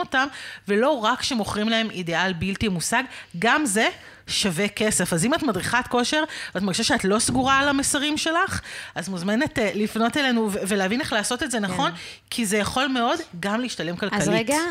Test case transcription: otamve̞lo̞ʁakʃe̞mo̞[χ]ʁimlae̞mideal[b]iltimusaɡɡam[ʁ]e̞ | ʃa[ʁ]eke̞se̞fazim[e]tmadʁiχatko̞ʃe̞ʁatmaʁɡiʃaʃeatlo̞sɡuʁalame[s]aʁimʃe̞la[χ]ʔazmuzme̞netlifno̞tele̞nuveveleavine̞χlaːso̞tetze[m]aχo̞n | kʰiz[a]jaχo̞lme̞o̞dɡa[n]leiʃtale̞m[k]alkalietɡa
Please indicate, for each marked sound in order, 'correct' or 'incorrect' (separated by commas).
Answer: correct, correct, incorrect, incorrect, incorrect, correct, correct, incorrect, incorrect, incorrect, correct